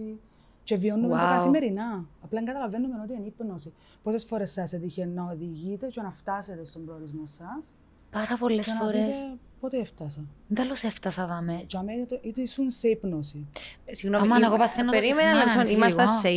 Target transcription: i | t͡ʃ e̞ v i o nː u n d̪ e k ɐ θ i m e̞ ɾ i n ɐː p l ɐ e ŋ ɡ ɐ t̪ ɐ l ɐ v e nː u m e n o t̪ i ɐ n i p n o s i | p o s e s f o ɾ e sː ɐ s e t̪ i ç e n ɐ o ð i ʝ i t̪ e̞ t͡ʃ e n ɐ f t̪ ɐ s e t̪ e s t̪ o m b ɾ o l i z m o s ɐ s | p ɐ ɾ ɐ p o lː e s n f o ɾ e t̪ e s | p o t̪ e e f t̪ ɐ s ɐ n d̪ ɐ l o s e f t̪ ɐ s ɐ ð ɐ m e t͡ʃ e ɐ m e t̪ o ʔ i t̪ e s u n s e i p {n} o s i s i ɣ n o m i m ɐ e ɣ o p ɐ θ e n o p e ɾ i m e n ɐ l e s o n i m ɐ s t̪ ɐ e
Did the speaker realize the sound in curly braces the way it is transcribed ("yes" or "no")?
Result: yes